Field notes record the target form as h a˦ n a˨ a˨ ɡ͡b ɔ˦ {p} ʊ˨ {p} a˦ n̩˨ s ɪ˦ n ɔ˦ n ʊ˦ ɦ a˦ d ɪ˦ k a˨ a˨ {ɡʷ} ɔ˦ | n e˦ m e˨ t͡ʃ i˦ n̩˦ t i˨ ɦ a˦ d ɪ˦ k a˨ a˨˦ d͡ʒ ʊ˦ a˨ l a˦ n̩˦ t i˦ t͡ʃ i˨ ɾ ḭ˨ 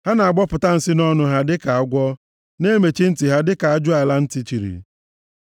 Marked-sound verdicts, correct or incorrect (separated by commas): correct, incorrect, correct